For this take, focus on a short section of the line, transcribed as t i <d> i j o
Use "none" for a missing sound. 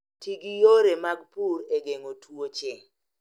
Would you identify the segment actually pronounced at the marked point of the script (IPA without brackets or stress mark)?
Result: ɡ